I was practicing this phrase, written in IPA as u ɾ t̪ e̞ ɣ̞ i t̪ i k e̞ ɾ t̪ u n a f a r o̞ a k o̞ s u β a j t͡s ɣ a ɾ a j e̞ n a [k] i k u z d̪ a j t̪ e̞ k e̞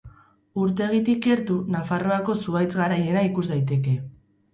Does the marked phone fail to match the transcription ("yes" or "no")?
yes